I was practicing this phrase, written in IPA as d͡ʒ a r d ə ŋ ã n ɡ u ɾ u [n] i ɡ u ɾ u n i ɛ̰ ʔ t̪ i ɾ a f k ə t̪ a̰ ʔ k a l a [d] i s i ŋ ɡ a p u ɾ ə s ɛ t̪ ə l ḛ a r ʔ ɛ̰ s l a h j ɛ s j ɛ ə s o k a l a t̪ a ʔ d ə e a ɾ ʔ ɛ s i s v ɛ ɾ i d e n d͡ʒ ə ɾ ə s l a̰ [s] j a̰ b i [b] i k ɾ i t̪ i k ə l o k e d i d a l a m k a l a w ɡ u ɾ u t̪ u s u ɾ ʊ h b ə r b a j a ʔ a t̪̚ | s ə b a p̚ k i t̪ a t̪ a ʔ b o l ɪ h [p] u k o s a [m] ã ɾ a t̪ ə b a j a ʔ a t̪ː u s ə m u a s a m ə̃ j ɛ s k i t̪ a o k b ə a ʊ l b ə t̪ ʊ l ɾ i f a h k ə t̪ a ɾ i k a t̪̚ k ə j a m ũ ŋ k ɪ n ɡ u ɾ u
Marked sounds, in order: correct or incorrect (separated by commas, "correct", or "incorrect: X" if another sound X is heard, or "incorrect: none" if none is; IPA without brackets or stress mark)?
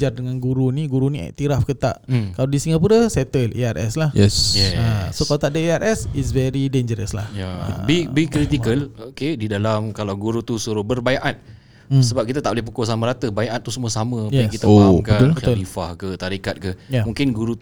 correct, correct, incorrect: h, correct, correct, correct